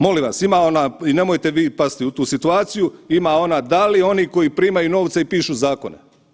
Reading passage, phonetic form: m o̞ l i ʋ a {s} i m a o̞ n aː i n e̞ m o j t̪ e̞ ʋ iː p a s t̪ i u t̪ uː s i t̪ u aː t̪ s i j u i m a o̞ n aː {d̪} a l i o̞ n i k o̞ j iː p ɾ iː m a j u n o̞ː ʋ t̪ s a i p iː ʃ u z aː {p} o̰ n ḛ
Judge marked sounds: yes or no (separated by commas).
yes, yes, no